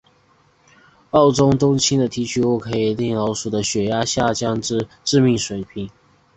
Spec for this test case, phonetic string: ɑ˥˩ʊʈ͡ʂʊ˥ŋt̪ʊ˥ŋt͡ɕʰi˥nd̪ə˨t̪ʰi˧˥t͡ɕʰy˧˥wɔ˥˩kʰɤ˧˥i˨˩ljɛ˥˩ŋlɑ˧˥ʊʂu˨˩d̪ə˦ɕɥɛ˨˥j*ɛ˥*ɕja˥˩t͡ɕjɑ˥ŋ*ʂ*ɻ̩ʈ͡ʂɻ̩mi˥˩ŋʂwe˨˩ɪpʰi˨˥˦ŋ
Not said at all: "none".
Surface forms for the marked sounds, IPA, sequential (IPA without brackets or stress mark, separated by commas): a˥, ʈ͡ʂ